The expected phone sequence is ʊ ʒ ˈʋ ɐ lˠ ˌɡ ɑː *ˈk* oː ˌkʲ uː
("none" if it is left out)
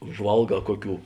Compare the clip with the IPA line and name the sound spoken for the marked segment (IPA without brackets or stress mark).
k